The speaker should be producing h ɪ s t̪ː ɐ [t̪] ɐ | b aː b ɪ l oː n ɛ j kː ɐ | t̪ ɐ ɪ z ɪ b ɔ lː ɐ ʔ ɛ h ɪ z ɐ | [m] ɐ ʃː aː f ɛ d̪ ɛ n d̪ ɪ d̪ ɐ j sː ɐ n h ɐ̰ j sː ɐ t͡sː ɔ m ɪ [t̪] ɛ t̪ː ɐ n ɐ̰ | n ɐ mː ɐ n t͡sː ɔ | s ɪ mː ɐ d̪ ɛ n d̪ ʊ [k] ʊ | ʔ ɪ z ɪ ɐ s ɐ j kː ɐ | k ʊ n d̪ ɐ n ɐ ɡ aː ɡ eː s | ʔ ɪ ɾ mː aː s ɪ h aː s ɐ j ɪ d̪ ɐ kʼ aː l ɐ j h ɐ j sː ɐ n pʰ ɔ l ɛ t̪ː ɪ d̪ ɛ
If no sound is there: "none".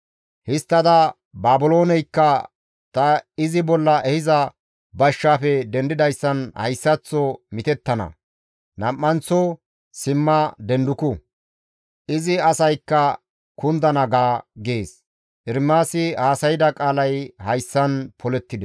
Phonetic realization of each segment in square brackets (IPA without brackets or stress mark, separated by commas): d̪, b, t̪, k